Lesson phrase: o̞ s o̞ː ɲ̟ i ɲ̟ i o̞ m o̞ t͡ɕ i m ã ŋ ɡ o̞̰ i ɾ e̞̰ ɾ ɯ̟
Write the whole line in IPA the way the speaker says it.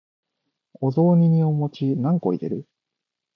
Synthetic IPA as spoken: o̞ z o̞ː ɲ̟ i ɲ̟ i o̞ m o̞ t͡ɕ i n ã ŋ k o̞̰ i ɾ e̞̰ ɾ ɯ̟